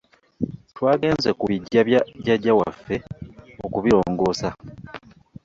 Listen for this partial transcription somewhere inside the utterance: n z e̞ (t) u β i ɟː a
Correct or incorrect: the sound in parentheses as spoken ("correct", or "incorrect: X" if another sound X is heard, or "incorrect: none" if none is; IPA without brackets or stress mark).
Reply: incorrect: k